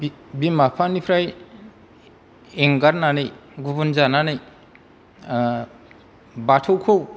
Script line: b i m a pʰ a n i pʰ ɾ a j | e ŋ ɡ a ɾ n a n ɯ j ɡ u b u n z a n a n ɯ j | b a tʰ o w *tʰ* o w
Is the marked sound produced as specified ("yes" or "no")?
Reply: no